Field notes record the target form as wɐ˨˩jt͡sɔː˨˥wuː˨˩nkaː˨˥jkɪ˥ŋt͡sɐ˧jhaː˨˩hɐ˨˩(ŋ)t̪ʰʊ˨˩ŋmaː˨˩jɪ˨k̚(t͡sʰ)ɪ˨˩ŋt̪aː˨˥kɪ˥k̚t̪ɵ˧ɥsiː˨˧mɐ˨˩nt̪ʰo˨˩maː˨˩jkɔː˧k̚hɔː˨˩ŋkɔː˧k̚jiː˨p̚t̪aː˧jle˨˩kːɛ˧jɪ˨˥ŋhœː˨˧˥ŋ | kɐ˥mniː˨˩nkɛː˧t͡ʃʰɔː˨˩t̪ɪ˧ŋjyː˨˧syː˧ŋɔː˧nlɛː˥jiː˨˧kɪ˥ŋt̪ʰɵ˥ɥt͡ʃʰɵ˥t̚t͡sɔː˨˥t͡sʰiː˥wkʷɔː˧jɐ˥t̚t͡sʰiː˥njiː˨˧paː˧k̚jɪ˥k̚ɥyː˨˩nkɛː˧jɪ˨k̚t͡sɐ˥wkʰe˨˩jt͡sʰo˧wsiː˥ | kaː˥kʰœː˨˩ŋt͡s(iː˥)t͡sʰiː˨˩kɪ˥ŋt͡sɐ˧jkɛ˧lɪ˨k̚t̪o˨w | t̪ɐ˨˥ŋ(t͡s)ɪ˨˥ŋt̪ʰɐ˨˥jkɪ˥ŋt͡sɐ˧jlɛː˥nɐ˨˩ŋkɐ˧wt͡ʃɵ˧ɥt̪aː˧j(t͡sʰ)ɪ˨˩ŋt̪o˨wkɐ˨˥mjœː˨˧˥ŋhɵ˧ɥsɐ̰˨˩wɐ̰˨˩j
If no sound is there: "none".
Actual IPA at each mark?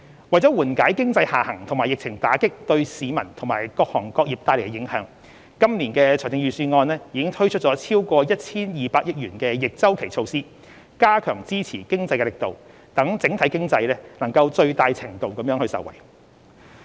ŋ, t͡sʰ, iː˥, t͡s, t͡sʰ

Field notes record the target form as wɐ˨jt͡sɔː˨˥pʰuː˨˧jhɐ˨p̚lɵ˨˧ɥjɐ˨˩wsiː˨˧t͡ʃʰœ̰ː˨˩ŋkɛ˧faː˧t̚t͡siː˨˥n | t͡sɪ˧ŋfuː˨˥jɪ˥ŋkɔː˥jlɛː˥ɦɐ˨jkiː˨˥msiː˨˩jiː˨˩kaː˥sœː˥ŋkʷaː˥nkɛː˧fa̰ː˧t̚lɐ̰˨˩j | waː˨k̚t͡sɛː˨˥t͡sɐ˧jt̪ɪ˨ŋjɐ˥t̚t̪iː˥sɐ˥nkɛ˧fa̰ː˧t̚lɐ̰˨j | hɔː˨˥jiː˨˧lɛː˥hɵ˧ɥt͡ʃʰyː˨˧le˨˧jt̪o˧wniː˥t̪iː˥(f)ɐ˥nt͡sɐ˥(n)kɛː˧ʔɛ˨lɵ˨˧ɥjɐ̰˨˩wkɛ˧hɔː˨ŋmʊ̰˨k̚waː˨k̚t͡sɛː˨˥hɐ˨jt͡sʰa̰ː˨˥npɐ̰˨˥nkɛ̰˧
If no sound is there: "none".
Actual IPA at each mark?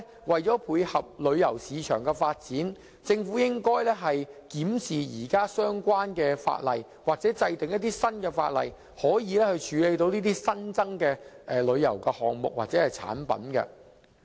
s, ŋ

